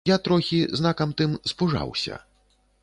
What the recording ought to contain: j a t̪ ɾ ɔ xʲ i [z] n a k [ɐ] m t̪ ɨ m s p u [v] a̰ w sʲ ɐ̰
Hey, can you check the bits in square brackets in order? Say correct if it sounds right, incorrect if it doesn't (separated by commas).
correct, correct, incorrect